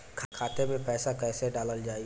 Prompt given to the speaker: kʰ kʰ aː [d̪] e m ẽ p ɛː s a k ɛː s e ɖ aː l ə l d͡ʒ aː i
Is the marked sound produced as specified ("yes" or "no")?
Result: no